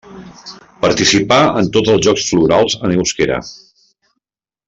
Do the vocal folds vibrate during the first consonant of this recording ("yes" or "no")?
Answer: no